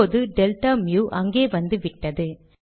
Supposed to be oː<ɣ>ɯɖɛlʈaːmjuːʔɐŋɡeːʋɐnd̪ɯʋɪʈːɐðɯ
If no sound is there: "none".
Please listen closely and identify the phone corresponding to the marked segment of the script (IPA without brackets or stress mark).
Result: ð